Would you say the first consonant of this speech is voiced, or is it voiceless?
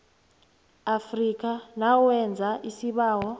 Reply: voiceless